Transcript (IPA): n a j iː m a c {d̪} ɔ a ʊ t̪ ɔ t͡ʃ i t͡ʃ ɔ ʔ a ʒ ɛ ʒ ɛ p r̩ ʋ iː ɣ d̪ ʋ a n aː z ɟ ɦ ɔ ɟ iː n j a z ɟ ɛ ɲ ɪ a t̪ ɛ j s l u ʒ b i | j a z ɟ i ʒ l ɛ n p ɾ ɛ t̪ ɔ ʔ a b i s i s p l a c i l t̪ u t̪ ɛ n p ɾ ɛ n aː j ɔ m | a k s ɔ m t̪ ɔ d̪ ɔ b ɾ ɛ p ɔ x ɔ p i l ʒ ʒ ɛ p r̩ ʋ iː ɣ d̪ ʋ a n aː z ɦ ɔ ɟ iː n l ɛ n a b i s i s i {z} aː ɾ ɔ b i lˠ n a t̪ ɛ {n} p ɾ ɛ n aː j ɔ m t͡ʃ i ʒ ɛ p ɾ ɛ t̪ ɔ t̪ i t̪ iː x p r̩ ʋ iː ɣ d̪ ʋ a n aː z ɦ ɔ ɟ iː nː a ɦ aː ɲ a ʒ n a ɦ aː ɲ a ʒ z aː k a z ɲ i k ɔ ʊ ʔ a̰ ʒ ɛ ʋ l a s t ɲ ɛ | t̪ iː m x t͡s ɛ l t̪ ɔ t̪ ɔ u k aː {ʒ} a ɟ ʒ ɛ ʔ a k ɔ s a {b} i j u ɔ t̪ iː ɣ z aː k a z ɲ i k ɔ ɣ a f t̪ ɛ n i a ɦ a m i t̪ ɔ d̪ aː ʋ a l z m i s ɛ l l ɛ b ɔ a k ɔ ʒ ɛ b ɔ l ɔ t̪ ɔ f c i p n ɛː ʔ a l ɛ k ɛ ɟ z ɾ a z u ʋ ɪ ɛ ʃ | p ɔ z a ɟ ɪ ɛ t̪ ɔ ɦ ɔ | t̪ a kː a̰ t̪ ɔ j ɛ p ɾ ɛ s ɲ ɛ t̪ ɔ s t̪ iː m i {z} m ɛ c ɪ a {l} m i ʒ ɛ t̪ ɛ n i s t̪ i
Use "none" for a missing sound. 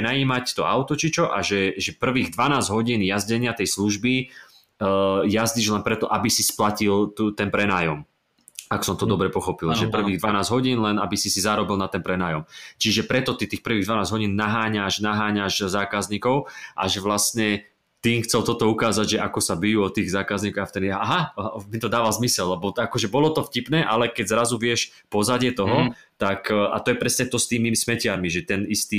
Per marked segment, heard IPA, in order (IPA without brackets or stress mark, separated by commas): t̪, z, n, z, b, s, ɾ